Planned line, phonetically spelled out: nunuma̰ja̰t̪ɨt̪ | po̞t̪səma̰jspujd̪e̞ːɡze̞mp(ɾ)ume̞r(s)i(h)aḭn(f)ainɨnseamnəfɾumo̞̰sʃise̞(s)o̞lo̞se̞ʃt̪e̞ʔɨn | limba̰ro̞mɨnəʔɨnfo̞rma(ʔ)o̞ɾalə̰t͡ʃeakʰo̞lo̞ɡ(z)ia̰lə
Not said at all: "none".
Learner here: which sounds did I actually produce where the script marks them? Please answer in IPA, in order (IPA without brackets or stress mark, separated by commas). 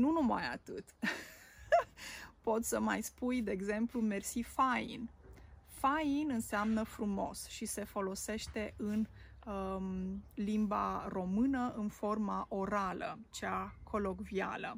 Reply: l, s, f, f, f, ʔ, v